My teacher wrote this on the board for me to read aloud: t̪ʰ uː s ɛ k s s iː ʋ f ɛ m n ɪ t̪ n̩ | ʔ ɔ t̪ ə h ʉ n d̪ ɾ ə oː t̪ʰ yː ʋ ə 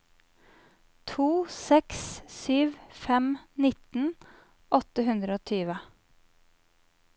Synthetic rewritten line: t̪ʰ uː s ɛ k s s yː ʋ f ɛ m n ɪ t̪ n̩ | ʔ ɔ t̪ ə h ʉ n d̪ ɾ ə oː t̪ʰ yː ʋ ə